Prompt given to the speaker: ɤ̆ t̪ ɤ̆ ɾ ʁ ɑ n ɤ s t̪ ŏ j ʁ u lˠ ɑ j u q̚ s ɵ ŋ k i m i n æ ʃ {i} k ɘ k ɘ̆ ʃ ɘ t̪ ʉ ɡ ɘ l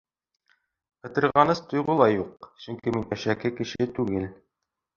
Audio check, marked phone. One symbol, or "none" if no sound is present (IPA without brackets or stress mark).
æ